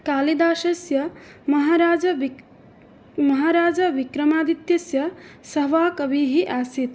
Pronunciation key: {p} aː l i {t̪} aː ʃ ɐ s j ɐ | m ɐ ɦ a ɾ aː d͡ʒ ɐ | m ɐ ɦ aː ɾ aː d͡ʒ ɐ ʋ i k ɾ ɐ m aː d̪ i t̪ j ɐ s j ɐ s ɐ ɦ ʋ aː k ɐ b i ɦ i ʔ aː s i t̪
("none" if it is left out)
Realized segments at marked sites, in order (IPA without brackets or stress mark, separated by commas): k, d̪